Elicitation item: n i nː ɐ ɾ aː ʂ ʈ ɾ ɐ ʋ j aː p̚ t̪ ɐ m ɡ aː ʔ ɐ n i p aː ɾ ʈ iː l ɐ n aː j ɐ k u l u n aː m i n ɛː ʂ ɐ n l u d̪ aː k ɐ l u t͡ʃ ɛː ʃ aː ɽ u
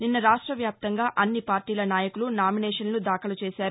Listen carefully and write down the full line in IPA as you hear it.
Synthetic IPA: n i nː ɐ ɾ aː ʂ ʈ ɾ ɐ ʋ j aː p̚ t̪ ɐ ŋ ɡ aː ʔ ɐ nː i p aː ɾ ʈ iː l ɐ n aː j ɐ k u l u n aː m i n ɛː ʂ ɐ n l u d̪ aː k ɐ l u t͡ʃ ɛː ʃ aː ɾ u